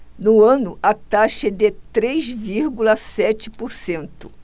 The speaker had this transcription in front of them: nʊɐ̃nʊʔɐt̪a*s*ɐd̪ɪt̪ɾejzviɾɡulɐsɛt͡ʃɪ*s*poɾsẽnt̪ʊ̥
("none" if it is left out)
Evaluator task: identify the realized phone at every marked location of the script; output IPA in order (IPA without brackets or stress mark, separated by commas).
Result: ʃ, none